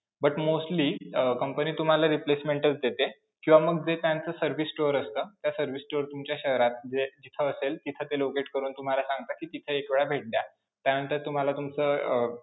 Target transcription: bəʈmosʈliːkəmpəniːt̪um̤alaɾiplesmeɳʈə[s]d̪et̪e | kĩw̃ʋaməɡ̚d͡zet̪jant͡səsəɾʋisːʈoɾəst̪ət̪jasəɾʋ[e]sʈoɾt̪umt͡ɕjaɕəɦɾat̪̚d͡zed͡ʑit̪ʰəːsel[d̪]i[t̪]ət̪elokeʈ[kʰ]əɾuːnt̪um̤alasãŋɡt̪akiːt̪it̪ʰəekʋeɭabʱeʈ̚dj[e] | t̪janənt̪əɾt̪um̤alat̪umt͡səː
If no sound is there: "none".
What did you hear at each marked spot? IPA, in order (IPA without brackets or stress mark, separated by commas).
t͡s, i, t̪, t̪ʰ, k, a